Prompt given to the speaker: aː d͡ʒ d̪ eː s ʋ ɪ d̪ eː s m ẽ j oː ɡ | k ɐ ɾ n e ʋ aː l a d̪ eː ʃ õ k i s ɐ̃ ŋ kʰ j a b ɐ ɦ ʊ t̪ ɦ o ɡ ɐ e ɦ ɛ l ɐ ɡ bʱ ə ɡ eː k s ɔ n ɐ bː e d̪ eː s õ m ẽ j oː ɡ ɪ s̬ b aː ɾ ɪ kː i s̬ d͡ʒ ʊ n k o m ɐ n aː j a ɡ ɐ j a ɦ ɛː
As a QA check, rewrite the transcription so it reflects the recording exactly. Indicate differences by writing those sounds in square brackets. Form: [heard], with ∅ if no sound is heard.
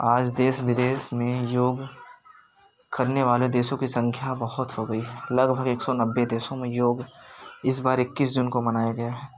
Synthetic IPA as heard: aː d͡ʒ d̪ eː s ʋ ɪ d̪ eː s m ẽ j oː ɡ | k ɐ ɾ n e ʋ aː l [e] d̪ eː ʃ õ k i s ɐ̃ ŋ kʰ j a b ɐ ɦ ʊ t̪ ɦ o ɡ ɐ [i] ɦ ɛ l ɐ ɡ bʱ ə ɡ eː k s ɔ n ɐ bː e d̪ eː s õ m ẽ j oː ɡ ɪ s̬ b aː ɾ ɪ kː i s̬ d͡ʒ ʊ n k o m ɐ n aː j a ɡ ɐ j a ɦ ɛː